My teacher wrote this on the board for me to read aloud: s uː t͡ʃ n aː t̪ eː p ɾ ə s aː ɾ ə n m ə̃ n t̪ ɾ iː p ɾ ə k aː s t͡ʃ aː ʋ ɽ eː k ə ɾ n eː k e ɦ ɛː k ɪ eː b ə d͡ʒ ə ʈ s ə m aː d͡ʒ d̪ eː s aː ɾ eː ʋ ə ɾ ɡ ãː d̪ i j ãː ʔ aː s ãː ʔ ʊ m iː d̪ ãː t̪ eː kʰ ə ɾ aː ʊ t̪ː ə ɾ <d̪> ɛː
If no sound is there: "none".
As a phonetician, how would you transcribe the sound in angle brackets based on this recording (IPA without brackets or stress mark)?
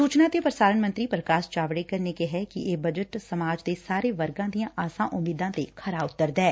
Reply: d̪